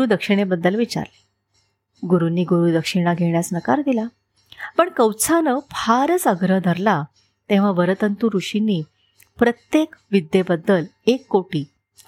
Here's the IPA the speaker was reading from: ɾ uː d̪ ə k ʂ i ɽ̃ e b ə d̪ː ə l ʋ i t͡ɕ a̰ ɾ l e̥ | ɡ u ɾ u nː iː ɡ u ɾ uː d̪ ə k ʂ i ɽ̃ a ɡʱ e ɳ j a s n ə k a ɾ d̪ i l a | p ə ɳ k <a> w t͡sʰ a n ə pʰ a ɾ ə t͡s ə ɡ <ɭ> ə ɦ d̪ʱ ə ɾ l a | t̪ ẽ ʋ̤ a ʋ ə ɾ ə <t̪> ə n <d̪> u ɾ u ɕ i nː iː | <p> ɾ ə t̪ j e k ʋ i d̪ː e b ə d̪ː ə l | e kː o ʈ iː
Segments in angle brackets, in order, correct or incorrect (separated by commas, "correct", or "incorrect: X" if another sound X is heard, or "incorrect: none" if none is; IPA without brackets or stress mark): incorrect: ə, incorrect: ɾ, correct, incorrect: t̪, correct